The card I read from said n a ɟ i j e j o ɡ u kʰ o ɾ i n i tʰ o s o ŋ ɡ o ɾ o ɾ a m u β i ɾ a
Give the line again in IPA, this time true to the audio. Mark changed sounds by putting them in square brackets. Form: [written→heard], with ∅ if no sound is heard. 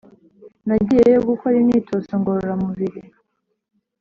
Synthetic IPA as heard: n a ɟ i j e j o ɡ u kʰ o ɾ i n i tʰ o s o ŋ ɡ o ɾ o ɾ a m u β i ɾ [a→i]